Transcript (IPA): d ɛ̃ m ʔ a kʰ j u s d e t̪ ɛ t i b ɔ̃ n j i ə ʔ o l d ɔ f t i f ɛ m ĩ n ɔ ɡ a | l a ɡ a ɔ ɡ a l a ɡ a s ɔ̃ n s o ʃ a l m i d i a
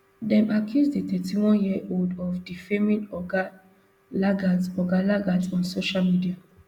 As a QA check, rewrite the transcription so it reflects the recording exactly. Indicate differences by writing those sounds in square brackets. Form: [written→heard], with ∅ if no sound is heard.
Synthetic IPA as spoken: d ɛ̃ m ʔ a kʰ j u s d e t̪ ɛ t i [b→w] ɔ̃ n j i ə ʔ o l d ɔ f [t→d] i f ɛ m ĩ n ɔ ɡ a | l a ɡ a ɔ ɡ a l a ɡ a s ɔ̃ n s o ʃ a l m i d i a